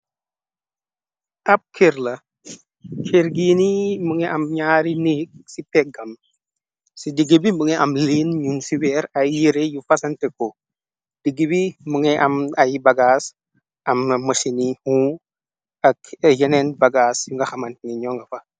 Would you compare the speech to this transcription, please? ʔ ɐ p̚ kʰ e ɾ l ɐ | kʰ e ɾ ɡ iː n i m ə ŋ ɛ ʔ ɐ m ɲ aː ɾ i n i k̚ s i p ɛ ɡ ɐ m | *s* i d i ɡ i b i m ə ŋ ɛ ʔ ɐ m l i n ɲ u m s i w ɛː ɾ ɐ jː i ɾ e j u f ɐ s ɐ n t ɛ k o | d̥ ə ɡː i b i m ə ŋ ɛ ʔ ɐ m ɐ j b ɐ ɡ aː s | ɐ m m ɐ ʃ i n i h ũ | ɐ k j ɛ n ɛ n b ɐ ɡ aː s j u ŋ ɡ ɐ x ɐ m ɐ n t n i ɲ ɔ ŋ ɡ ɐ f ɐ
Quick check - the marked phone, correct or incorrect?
correct